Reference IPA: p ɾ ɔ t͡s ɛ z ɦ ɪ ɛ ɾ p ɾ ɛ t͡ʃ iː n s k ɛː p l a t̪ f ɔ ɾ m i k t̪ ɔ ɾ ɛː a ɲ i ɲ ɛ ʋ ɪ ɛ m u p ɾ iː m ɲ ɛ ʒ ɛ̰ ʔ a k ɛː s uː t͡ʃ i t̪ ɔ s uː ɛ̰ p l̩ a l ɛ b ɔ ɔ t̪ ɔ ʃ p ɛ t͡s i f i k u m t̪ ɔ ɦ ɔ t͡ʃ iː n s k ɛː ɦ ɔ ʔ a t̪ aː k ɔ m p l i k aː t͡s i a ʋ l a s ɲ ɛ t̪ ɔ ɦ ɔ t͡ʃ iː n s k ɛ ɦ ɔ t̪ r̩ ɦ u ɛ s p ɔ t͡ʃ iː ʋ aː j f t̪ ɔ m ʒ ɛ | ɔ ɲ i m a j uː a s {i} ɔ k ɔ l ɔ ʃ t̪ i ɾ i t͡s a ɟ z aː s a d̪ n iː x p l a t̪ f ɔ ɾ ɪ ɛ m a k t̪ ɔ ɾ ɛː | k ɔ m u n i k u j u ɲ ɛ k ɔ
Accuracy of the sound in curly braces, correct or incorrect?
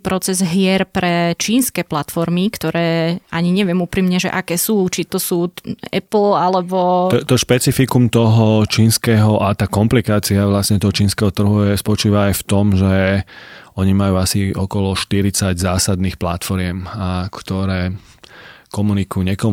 correct